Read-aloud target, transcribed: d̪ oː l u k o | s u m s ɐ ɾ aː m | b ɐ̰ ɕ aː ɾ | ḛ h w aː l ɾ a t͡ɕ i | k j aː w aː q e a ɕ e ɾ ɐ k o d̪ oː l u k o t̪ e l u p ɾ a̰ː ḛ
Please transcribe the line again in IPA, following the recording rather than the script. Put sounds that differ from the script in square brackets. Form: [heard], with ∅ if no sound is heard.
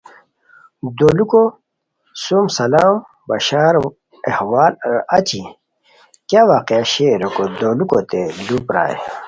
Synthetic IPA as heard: d̪ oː l u k o | s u m s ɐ [l] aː m | b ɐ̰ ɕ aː ɾ | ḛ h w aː l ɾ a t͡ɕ i | k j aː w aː q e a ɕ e ɾ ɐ k o d̪ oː l u k o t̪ e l u p ɾ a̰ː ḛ